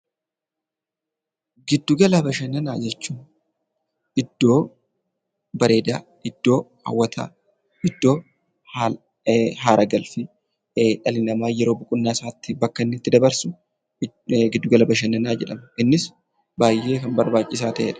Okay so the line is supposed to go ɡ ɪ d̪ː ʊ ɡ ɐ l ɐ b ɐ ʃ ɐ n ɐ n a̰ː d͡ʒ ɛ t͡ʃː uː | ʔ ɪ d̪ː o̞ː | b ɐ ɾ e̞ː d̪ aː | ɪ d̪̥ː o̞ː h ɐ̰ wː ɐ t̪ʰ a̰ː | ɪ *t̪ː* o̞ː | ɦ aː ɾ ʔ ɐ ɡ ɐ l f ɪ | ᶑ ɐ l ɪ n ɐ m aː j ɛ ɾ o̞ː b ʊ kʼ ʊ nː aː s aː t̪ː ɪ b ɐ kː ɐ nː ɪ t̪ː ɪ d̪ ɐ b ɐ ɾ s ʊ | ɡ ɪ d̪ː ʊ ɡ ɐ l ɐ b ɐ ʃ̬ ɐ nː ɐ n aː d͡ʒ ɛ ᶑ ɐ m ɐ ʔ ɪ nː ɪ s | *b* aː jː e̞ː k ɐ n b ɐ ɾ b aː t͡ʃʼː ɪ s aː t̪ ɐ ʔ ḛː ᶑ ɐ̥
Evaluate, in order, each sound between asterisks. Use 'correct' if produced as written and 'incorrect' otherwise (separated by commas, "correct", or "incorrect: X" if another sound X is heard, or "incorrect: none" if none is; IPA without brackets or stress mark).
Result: incorrect: d̪ː, correct